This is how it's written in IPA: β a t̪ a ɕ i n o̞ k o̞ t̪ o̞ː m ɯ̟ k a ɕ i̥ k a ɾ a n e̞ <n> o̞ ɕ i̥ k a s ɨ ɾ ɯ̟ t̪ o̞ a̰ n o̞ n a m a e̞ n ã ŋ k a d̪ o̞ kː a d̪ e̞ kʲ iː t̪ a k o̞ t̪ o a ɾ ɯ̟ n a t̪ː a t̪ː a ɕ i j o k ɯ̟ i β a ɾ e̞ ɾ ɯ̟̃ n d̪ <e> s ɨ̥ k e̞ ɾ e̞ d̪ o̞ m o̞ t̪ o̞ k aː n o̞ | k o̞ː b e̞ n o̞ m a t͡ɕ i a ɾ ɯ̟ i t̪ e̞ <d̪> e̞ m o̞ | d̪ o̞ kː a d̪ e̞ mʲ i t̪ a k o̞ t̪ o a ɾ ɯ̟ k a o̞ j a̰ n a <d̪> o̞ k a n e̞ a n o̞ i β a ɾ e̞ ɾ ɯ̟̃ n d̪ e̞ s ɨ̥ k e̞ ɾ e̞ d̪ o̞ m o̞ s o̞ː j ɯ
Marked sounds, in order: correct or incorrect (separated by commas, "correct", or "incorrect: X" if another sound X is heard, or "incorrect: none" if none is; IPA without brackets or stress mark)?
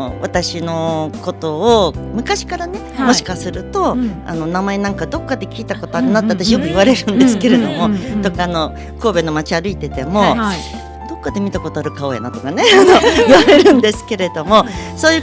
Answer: incorrect: m, correct, incorrect: t̪, incorrect: t̪